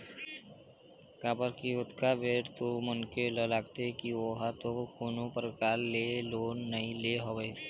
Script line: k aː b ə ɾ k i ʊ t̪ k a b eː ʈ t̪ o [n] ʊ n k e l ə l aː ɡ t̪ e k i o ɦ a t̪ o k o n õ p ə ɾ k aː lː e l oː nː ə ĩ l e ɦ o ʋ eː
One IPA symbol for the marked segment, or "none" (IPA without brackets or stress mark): m